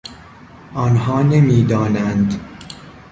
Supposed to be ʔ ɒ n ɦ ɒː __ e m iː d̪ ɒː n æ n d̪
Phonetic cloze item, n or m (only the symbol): n